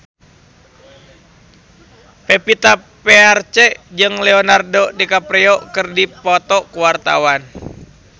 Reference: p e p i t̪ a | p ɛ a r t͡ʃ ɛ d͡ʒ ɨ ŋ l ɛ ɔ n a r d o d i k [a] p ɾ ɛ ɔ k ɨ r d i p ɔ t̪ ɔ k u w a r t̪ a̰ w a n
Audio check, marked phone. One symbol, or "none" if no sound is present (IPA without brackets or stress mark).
a